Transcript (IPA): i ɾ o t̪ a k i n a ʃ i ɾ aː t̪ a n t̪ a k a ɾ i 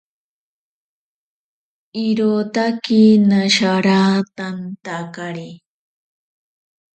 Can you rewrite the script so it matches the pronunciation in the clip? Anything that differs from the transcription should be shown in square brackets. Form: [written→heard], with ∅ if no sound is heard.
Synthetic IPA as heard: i ɾ o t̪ a k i n a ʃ [i→a] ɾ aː t̪ a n t̪ a k a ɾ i